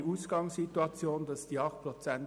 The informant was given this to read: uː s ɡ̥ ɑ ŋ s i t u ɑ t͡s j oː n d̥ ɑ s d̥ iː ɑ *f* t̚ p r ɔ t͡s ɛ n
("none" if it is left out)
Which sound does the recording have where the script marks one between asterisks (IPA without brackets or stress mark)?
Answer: χ